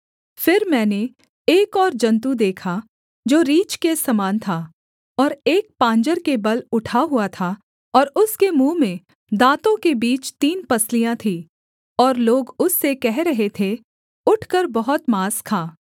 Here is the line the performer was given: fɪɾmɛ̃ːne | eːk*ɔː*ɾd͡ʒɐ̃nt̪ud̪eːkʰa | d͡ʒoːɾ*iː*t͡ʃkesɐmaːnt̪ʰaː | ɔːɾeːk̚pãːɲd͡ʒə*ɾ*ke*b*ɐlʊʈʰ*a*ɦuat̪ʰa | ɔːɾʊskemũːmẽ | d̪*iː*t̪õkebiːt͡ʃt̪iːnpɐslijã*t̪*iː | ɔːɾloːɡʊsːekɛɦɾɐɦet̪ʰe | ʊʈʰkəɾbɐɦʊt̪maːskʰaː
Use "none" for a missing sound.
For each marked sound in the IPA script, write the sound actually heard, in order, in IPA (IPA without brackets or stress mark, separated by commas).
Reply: ɔː, iː, ɾ, b, a, aː, t̪ʰ